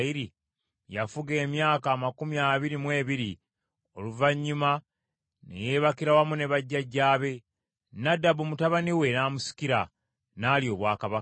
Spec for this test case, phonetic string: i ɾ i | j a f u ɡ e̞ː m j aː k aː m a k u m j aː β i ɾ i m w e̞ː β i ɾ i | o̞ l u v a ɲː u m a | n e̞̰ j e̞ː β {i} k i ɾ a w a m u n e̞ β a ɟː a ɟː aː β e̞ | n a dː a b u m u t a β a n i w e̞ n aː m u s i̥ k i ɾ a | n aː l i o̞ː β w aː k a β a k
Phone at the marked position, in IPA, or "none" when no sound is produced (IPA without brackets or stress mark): a